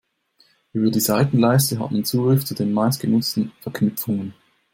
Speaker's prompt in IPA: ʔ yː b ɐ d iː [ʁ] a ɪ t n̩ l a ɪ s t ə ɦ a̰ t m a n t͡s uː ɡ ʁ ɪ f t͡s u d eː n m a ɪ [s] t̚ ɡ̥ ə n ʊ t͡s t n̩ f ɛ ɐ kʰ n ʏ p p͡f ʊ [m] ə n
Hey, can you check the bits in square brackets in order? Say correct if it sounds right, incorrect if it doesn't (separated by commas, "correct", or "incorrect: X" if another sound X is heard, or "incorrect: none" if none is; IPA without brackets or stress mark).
incorrect: z, correct, incorrect: ŋ